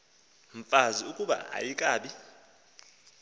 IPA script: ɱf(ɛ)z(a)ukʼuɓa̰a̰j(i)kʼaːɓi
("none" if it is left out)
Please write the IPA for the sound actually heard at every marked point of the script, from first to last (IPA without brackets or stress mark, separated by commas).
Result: a, i, i